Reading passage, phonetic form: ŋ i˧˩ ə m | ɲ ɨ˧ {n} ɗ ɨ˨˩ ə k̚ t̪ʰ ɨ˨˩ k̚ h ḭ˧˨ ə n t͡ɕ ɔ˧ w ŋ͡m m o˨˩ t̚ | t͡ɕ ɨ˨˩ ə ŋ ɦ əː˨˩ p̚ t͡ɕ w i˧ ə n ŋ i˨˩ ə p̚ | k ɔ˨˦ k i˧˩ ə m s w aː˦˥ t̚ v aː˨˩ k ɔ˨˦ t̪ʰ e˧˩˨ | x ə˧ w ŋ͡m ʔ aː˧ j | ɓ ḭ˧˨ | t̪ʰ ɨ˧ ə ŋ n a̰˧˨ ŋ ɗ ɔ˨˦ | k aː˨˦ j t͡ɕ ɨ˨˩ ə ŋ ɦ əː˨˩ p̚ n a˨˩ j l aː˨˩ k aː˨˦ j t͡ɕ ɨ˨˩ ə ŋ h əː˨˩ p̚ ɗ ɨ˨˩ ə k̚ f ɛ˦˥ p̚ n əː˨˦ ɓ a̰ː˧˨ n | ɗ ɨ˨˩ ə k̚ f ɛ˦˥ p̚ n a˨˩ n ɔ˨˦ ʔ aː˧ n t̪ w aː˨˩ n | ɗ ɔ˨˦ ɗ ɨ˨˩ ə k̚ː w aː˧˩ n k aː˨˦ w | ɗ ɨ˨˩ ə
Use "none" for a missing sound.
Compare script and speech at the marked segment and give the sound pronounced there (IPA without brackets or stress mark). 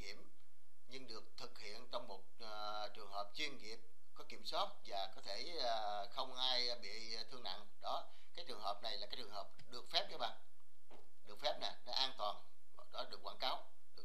ŋ